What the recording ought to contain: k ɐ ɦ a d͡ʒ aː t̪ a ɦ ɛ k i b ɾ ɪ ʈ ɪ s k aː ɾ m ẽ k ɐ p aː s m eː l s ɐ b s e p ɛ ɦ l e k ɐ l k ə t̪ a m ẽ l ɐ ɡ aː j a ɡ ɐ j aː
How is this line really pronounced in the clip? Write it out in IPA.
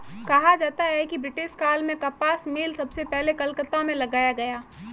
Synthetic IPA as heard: k ɐ ɦ a d͡ʒ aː t̪ a ɦ ɛ k i b ɾ ɪ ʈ ɪ ʃ k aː l m ẽ k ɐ p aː s m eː l s ɐ b s e p ɛ ɦ l e k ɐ l k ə t̪ a m ẽ l ɐ ɡ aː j a ɡ ɐ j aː